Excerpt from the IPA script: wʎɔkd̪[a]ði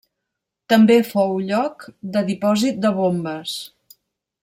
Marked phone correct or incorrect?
incorrect